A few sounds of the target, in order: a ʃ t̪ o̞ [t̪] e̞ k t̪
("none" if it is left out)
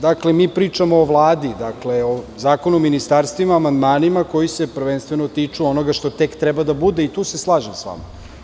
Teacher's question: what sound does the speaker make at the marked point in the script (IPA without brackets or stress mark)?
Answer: t̪